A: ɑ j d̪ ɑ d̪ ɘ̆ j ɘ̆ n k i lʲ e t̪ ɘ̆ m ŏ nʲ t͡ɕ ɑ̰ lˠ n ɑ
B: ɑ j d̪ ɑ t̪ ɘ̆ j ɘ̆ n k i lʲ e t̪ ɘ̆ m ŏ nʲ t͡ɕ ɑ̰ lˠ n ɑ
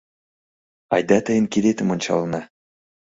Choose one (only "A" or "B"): B